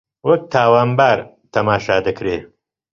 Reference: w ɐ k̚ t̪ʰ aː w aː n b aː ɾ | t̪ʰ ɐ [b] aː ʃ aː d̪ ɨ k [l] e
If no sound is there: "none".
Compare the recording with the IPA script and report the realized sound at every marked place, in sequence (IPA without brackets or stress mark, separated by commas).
m, ɾ